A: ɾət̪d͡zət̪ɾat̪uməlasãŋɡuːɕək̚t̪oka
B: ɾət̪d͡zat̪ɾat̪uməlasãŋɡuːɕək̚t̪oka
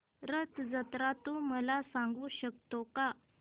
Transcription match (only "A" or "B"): A